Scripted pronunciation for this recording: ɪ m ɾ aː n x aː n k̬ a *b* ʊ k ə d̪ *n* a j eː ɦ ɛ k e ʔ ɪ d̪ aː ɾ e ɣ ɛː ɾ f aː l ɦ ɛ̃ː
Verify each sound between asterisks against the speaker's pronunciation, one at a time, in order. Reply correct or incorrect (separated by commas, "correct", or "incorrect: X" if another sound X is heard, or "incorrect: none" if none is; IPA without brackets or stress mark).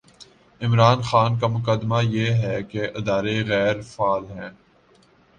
incorrect: m, incorrect: m